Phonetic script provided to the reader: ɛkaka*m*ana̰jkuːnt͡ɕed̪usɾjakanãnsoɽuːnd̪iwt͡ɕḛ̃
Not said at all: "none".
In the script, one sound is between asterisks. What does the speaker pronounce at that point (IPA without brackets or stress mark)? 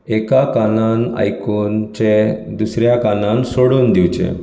n